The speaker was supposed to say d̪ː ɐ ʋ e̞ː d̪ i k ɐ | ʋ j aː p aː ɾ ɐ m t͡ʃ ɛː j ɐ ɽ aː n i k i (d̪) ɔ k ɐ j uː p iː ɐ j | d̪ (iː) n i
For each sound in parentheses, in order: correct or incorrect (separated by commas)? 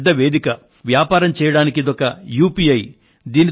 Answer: correct, correct